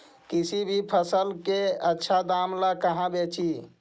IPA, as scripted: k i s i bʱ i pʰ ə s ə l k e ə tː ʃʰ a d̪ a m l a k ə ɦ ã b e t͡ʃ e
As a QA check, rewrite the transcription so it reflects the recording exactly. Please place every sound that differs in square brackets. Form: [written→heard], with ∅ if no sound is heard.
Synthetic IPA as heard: k i s i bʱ i pʰ ə s ə l k e ə tː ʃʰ a d̪ a m l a k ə ɦ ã b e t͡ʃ [e→i]

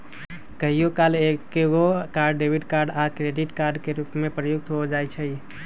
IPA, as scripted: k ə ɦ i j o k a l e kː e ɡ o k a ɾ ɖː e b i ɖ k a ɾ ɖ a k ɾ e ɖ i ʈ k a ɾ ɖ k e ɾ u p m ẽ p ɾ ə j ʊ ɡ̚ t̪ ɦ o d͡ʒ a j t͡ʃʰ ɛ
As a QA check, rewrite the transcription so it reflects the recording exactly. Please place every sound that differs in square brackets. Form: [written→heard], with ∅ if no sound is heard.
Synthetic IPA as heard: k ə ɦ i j o k a l e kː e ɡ o k a ɾ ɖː e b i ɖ k a ɾ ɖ a k ɾ e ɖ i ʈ k a ɾ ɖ k e ɾ u p m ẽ p ɾ ə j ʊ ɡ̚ t̪ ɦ o d͡ʒ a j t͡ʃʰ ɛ

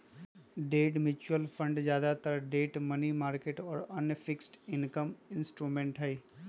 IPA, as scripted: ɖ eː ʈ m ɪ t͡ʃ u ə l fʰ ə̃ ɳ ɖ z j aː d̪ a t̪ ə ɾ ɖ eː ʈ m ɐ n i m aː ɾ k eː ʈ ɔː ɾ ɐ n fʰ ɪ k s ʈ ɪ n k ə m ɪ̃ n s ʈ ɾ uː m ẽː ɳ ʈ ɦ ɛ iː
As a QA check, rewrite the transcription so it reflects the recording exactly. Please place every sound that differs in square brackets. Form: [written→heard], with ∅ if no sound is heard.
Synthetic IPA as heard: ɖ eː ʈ m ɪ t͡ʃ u ə l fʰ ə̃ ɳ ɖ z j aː d̪ a t̪ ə ɾ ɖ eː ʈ m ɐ n i m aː ɾ k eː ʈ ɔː ɾ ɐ n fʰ ɪ k s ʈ ɪ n k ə m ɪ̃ n s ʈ ɾ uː m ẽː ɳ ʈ ɦ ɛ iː

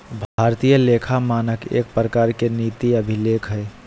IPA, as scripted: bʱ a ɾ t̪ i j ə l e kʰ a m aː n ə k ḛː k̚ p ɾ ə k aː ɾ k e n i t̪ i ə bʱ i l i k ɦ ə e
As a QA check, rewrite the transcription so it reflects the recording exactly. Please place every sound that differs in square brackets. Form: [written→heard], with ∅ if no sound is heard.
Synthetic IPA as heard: bʱ a ɾ t̪ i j ə l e kʰ a m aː n ə k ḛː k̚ p ɾ ə k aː ɾ k e n i t̪ i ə bʱ i l [i→e] k ɦ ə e

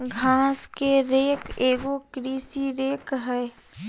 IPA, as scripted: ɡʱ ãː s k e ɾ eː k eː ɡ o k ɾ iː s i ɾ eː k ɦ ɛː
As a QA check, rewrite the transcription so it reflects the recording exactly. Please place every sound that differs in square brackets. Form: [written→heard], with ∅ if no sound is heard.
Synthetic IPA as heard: ɡʱ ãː s k e ɾ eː k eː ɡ o k ɾ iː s i ɾ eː k ɦ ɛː

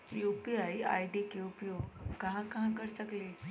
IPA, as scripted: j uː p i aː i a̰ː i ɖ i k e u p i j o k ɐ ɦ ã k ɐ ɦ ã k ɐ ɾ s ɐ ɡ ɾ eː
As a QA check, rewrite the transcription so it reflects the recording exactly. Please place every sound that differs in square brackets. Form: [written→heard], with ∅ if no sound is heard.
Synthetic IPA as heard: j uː p i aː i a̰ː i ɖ i k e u p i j o k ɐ ɦ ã k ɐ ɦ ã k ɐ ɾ s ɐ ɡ [ɾ→l] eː

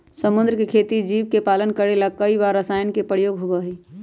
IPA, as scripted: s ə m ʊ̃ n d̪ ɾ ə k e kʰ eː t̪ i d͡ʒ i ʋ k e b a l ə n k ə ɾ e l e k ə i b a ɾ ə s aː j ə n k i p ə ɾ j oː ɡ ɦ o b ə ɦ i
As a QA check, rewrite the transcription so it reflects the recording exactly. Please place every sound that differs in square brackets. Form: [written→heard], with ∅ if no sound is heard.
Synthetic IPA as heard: s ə m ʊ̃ n d̪ ɾ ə k e kʰ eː t̪ i d͡ʒ i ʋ k e [b→p] a l ə n k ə ɾ e l [e→a] k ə i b a ɾ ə s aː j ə n k [i→e] p ə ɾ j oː ɡ ɦ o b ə ɦ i

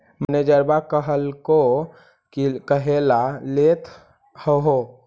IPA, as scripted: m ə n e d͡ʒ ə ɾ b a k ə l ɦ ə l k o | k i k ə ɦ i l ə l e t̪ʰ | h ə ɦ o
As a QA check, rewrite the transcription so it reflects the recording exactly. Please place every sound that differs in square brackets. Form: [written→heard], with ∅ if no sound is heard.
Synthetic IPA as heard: m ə n e d͡ʒ ə ɾ b a k ə [l→∅] ɦ ə l k o | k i k ə ɦ [i→e] l [ə→a] l e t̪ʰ | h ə ɦ o

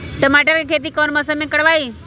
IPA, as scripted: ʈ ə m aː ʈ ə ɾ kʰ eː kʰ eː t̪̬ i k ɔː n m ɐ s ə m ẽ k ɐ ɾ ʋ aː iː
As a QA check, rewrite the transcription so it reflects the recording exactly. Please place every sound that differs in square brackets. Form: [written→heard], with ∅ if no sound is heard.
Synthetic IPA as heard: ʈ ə m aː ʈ ə ɾ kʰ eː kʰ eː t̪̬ i k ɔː n m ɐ s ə m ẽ k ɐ [ɾ→ɽ] ʋ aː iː

